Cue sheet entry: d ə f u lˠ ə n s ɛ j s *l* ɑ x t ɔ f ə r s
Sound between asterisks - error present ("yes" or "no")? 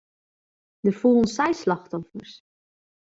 no